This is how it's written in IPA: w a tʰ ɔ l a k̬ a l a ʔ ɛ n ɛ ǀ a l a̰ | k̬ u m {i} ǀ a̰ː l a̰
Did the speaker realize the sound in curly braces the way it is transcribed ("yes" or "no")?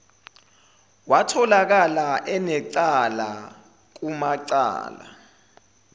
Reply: no